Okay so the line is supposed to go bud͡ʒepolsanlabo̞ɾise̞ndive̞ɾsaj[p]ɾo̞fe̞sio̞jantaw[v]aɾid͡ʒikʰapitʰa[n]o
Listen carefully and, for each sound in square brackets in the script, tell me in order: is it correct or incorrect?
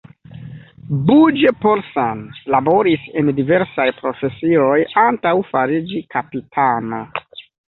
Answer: correct, incorrect: f, correct

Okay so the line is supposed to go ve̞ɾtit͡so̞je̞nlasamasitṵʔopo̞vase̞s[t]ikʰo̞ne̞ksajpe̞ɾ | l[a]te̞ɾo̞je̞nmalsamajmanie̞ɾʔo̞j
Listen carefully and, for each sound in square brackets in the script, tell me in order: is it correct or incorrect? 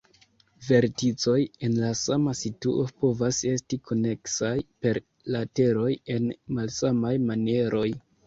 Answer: correct, correct

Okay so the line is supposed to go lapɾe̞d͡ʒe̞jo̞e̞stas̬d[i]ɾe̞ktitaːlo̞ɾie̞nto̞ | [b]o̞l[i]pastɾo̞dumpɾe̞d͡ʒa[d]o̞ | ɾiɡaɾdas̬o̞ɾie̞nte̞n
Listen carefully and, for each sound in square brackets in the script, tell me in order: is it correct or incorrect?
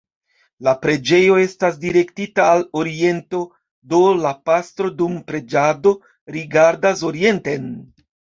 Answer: correct, incorrect: d, incorrect: a, correct

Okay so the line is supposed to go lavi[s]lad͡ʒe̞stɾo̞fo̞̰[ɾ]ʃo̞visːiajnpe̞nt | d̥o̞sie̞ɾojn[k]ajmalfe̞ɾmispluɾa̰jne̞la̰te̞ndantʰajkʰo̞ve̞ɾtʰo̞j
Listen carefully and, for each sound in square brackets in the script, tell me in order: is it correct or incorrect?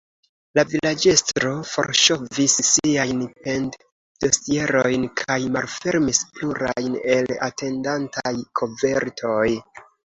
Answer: incorrect: none, correct, incorrect: kʰ

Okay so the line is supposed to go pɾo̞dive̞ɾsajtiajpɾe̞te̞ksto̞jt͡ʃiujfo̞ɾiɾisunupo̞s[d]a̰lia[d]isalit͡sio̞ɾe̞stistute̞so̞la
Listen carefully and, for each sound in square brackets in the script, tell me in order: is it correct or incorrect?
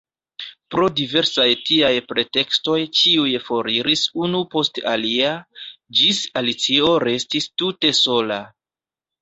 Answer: incorrect: t, incorrect: d͡ʒ

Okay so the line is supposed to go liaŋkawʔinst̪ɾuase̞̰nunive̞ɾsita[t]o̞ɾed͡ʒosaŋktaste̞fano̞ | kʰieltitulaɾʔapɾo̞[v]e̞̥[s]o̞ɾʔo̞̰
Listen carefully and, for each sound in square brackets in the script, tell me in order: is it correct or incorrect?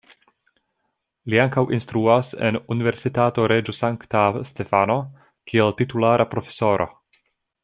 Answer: correct, incorrect: f, correct

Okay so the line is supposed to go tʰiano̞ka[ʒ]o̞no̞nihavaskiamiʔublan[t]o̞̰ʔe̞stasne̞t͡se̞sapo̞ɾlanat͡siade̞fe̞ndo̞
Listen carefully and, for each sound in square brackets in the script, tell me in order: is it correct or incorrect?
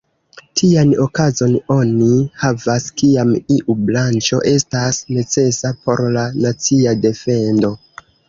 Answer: incorrect: z, incorrect: t͡ʃ

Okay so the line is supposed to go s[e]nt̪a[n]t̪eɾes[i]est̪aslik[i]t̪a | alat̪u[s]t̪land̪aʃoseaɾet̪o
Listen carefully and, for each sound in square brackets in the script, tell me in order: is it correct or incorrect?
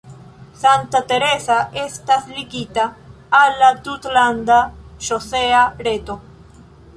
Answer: incorrect: a, incorrect: none, incorrect: a, correct, incorrect: none

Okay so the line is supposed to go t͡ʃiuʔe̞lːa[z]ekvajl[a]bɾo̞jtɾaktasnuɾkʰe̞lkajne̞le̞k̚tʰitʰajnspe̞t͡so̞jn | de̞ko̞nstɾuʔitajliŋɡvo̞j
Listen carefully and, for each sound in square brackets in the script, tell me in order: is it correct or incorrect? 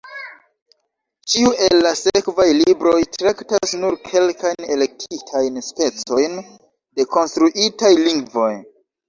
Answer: incorrect: s, incorrect: i

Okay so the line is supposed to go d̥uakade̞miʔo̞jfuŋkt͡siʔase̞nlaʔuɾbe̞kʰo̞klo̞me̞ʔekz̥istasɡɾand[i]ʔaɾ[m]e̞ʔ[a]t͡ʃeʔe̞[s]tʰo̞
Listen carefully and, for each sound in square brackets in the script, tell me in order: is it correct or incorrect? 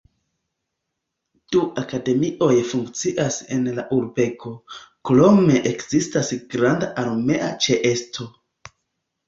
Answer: incorrect: a, correct, correct, correct

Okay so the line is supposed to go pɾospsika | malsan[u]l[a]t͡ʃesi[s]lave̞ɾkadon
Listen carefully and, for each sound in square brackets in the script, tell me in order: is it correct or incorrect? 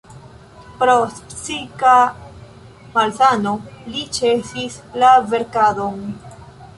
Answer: incorrect: o, incorrect: i, correct

